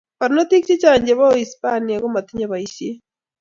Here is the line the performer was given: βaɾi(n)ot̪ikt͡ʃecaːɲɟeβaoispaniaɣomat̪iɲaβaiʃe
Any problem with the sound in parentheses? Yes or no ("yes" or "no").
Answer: no